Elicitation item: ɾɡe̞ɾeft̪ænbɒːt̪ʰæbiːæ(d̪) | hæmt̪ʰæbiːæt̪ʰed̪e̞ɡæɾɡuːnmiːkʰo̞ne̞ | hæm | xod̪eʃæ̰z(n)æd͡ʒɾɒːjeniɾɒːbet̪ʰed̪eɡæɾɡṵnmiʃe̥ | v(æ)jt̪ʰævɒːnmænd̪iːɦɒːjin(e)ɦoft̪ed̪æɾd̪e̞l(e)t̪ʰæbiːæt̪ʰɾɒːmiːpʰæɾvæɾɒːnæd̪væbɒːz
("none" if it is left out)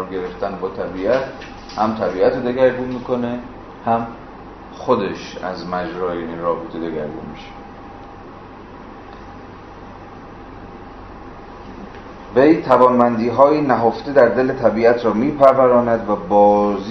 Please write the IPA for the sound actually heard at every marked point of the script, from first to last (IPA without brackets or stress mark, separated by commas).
t̪, m, e, æ, e